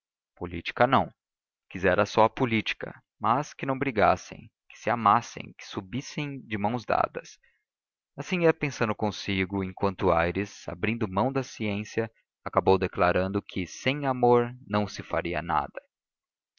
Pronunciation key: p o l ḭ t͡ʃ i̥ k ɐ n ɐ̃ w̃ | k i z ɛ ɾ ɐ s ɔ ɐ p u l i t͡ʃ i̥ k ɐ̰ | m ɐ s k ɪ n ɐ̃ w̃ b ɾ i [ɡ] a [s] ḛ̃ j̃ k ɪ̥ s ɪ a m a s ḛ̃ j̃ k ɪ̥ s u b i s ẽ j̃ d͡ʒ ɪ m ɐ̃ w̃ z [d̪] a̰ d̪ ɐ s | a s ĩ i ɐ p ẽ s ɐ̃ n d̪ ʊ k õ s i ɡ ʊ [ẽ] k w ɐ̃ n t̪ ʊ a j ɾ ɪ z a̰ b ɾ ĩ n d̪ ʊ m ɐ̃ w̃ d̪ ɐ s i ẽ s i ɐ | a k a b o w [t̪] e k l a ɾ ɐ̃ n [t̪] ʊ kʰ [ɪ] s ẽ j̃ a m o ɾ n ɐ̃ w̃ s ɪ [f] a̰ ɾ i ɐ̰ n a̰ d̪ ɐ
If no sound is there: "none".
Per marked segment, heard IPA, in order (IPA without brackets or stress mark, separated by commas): ɡ, s, d̪, ẽ, d̪, d̪, ɪ, f